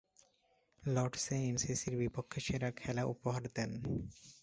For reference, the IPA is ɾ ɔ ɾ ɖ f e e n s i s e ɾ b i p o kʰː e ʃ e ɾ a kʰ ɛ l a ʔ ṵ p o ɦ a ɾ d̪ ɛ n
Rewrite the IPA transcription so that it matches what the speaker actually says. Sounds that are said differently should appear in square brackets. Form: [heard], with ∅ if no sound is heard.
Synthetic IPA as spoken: [l] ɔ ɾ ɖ [s] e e n s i s [i] ɾ b i p o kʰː e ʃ e ɾ a kʰ ɛ l a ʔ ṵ p o ɦ a ɾ d̪ ɛ n